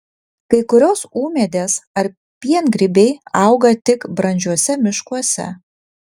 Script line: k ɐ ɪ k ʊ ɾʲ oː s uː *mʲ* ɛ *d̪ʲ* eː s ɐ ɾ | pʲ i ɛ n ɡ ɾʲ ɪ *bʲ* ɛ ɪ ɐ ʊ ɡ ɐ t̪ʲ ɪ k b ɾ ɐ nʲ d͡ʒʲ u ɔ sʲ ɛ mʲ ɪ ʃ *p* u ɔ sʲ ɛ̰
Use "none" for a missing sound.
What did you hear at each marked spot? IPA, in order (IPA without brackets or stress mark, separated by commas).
mʲ, d̪ʲ, bʲ, k